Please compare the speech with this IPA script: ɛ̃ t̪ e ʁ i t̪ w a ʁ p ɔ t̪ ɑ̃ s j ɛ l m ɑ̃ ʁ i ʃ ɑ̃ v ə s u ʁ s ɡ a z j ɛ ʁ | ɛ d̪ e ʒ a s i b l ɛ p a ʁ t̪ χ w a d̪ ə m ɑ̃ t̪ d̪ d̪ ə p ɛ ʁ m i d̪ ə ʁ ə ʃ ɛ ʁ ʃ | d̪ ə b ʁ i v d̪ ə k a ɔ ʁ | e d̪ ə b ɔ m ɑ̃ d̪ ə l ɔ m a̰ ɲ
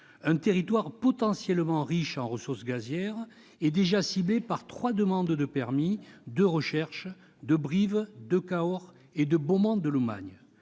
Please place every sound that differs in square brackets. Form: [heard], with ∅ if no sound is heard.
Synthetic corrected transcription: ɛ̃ t̪ e ʁ i t̪ w a ʁ p ɔ t̪ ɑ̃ s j ɛ l m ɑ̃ ʁ i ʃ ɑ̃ [ʁ] ə s u ʁ s ɡ a z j ɛ ʁ | ɛ d̪ e ʒ a s i b l [e] p a ʁ t̪ χ w a d̪ ə m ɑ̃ [∅] d̪ d̪ ə p ɛ ʁ m i d̪ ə ʁ ə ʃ ɛ ʁ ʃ | d̪ ə b ʁ i v d̪ ə k a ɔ ʁ | e d̪ ə b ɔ m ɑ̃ d̪ ə l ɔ m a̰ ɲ